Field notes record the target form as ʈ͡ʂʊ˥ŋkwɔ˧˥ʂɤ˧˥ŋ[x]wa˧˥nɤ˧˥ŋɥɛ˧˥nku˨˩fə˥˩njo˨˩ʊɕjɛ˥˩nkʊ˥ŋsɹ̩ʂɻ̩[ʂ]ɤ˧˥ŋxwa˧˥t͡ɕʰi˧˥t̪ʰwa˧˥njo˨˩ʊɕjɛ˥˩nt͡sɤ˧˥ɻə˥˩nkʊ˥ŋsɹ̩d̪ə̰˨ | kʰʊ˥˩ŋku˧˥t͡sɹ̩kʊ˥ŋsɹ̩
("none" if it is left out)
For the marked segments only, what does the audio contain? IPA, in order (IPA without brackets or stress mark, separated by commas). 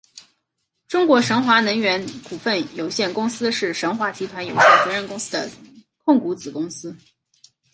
x, ʂ